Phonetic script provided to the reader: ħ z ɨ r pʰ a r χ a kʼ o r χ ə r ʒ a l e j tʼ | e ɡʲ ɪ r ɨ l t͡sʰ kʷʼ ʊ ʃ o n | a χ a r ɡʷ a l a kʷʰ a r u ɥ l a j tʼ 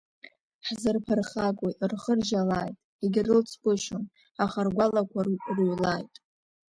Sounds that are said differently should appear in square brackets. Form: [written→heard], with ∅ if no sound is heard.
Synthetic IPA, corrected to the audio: ħ z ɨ r pʰ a r χ a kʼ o r χ ə r ʒ a l [e→a] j tʼ | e ɡʲ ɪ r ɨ l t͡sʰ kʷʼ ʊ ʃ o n | a χ a r ɡʷ a l a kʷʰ a r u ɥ l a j tʼ